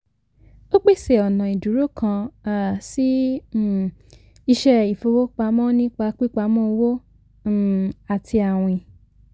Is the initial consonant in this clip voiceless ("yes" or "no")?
yes